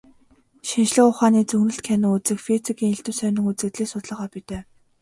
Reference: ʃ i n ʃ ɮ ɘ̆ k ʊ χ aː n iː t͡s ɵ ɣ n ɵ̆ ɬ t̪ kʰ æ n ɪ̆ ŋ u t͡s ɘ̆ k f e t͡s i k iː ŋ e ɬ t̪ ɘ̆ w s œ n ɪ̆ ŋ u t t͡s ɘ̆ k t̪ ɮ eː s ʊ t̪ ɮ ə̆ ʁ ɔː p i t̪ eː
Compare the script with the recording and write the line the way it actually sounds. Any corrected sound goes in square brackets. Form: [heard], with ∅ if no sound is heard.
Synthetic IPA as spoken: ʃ i n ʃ ɮ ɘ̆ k ʊ χ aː n iː t͡s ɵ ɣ n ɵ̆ ɬ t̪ kʰ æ n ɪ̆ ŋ u t͡s ɘ̆ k f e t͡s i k iː ŋ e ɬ t̪ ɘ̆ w s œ n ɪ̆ ŋ u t t͡s ɘ̆ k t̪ ɮ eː s ʊ t̪ ɮ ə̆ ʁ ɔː p i t̪ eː